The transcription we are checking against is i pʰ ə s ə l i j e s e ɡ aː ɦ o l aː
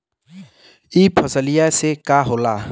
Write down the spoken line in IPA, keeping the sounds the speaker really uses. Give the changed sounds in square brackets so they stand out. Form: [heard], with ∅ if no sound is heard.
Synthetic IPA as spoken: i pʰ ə s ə l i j [a] s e [k] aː ɦ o l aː